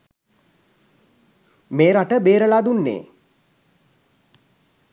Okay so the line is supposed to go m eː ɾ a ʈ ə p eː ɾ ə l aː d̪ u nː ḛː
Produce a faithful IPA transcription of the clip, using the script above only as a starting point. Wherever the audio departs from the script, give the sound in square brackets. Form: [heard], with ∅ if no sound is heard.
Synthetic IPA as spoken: m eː ɾ a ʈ ə [b] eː ɾ ə l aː d̪ u nː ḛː

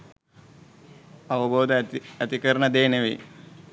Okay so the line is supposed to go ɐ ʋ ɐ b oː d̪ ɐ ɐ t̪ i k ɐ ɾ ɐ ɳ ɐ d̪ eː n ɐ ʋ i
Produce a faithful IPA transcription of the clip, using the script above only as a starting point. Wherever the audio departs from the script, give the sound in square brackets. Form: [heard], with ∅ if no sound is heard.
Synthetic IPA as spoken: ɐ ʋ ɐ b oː d̪ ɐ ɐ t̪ i k ɐ ɾ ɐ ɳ ɐ d̪ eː n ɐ ʋ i

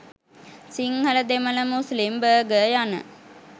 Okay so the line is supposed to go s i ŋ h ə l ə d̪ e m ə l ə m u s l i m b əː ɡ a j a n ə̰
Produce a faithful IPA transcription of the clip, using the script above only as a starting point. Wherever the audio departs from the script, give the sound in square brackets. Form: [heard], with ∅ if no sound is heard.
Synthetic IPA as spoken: s i ŋ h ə l ə d̪ e m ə l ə m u s l i m b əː ɡ [ə] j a n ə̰

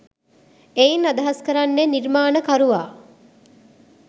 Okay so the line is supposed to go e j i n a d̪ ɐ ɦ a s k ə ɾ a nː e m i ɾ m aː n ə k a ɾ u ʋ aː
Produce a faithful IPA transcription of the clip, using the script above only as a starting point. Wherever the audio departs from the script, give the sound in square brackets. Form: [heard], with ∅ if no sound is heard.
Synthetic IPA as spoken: e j i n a d̪ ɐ ɦ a s k ə ɾ a nː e [n] i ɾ m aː n ə k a ɾ u ʋ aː

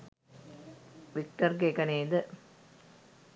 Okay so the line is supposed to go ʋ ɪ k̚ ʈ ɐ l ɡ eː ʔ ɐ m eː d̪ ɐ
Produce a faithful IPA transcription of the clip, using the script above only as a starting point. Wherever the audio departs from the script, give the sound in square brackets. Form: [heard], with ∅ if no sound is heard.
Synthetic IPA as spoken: ʋ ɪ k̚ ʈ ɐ [ɾ] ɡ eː [k] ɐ [n] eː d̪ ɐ

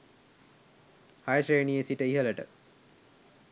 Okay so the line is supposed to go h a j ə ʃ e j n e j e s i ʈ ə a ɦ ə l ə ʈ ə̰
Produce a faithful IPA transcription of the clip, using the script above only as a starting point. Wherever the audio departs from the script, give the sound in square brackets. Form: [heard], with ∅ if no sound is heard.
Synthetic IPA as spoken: h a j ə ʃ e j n [i] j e s i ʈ ə [i] ɦ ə l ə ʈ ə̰

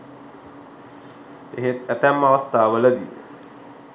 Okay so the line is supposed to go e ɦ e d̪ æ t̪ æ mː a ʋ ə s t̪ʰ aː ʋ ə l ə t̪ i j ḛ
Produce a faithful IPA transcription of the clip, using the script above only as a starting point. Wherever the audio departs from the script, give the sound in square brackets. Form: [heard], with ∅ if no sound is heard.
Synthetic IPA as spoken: e ɦ e [t̪] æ t̪ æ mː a ʋ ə s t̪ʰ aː ʋ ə l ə [d̪] i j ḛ

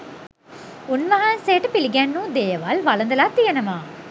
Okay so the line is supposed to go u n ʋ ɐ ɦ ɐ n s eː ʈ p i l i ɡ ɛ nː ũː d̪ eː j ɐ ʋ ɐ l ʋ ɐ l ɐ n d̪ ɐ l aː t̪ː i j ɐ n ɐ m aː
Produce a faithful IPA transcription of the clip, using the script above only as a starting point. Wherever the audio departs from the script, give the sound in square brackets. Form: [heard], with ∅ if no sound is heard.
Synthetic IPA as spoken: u n ʋ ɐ ɦ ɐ n s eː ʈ p i l i ɡ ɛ nː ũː d̪ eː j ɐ ʋ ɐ l ʋ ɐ l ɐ n d̪ ɐ l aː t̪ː i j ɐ n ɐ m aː

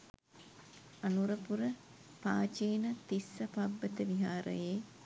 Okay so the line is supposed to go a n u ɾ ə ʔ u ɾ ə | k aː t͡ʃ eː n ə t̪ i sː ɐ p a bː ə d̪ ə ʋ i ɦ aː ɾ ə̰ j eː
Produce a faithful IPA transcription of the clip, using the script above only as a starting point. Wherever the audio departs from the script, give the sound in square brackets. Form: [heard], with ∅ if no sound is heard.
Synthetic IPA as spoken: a n u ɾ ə [p] u ɾ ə | [p] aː t͡ʃ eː n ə t̪ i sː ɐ p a bː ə [t̪] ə ʋ i ɦ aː ɾ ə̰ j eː

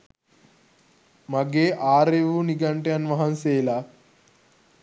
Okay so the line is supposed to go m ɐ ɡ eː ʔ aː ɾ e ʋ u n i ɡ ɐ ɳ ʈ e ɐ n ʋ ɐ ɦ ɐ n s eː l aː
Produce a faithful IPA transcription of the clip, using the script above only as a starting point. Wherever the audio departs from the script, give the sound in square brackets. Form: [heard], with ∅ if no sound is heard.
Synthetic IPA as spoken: m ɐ ɡ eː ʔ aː ɾ e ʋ u n i ɡ ɐ ɳ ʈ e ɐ n ʋ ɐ ɦ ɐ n s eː l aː

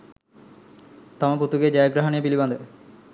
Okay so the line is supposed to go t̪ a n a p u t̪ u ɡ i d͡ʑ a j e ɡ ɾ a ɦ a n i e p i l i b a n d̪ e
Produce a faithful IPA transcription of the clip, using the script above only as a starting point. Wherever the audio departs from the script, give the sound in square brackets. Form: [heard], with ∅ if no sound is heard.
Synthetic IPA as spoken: t̪ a [m] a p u t̪ u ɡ [e] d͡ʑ a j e ɡ ɾ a ɦ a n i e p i l i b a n d̪ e

